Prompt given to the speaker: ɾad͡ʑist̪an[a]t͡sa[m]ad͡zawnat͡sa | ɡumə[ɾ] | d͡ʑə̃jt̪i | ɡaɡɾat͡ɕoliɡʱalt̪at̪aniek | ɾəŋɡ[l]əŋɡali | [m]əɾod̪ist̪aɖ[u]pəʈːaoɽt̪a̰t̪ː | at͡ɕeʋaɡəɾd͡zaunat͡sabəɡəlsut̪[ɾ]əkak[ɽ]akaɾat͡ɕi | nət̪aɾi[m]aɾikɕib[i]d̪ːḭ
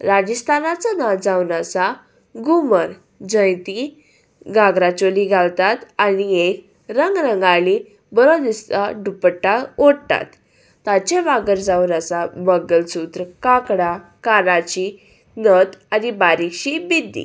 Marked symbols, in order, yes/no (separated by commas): yes, no, yes, no, no, yes, yes, yes, no, yes